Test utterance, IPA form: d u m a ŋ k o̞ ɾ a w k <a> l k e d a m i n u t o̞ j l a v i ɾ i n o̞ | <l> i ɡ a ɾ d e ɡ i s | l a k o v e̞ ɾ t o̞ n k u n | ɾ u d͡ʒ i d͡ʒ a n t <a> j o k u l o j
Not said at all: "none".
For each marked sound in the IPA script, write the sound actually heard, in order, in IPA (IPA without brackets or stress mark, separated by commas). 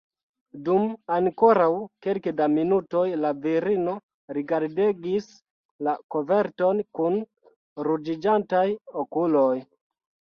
e, ɾ, a